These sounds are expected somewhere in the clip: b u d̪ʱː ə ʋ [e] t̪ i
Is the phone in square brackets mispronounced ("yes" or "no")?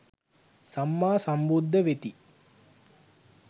no